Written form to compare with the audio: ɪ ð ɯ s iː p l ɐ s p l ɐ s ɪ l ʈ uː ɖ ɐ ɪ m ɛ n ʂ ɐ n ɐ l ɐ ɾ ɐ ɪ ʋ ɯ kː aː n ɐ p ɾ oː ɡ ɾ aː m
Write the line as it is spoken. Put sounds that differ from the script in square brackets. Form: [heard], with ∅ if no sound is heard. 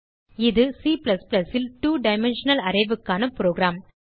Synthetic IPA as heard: ɪ ð ɯ s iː p l ɐ s p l ɐ s ɪ l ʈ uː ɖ ɐ ɪ m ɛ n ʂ ɐ n ɐ l ɐ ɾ ɐ ɪ ʋ ɯ kː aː n ɐ p ɾ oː ɡ ɾ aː m